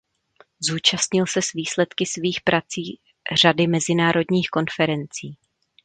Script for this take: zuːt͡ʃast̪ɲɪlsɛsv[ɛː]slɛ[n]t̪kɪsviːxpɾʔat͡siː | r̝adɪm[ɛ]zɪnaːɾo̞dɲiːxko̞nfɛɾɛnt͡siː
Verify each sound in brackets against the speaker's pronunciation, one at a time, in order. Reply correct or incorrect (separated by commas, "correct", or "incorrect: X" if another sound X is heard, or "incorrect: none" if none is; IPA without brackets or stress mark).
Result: incorrect: iː, incorrect: none, correct